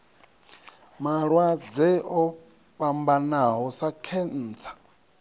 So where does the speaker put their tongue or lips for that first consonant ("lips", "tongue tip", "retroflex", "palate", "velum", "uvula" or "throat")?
lips